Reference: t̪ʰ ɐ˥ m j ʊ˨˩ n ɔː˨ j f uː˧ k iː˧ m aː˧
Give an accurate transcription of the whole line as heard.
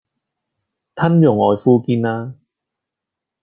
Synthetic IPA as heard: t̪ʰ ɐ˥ n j ʊ˨˩ ŋ ɔː˨ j f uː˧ k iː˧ n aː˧